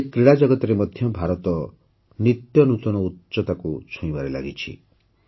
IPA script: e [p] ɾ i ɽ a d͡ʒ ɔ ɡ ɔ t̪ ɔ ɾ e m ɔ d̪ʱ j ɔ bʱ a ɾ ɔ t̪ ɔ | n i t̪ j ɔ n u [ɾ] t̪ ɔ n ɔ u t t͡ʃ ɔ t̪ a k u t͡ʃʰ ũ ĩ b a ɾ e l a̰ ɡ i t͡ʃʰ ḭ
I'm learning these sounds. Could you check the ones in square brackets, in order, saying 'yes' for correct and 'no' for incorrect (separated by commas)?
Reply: no, no